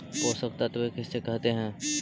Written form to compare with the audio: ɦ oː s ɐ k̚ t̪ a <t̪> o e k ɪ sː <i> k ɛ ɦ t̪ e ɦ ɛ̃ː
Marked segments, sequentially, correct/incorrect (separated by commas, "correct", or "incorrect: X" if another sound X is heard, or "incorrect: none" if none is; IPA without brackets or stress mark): correct, incorrect: e